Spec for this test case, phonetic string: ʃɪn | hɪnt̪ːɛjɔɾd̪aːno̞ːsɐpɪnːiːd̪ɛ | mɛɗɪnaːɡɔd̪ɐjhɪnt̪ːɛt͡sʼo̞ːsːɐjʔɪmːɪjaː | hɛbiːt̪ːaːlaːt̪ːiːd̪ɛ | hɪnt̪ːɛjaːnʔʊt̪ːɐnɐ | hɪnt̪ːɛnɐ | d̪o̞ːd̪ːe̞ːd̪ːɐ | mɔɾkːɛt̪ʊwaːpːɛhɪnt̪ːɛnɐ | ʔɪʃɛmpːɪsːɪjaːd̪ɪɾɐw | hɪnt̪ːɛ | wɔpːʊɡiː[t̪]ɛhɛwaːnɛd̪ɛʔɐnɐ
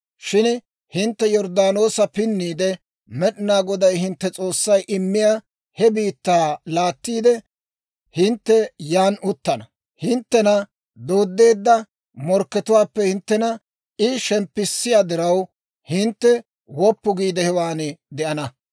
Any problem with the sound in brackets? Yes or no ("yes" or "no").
yes